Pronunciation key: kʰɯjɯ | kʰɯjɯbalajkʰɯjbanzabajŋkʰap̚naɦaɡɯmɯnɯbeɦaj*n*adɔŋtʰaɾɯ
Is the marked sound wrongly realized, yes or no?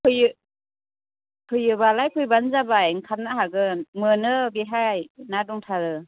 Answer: no